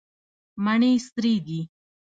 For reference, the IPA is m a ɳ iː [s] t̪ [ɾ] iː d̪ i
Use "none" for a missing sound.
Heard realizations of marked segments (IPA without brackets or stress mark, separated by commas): s, ɾ